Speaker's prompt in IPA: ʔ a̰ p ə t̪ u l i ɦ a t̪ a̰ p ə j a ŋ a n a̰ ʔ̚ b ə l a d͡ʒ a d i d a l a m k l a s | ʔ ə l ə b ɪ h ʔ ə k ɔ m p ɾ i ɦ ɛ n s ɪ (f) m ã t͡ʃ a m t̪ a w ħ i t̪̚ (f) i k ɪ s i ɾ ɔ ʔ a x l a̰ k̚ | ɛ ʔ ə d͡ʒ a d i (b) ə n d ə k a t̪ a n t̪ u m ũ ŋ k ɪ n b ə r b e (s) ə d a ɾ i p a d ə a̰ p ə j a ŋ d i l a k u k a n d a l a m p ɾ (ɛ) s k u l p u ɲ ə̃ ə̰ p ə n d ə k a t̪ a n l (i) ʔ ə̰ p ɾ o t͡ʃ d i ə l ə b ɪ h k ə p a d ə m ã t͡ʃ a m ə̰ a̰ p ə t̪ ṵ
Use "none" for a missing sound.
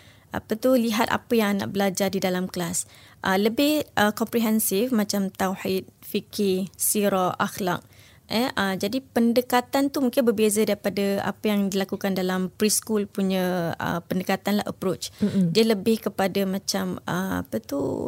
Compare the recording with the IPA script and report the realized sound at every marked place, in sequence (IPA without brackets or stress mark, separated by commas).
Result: f, f, p, z, i, a